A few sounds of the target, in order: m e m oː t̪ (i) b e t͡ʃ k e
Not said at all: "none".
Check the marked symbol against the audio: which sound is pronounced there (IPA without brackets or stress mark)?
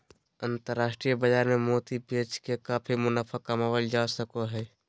i